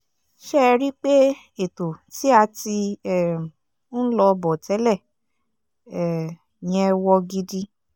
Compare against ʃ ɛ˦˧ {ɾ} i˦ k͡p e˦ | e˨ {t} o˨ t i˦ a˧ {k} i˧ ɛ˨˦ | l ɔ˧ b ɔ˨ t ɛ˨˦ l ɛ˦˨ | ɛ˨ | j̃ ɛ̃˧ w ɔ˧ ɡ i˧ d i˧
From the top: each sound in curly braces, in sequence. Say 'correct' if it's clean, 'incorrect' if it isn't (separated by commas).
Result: correct, correct, incorrect